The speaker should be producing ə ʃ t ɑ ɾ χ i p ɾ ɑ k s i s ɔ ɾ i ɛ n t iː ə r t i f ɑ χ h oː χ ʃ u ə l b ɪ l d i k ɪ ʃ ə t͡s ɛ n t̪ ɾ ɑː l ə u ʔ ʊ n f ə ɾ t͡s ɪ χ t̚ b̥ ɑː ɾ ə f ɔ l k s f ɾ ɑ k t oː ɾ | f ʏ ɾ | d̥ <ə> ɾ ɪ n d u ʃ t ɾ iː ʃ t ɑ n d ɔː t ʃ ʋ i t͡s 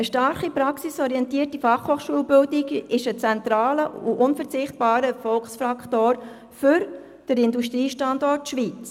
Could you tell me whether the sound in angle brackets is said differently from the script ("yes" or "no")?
no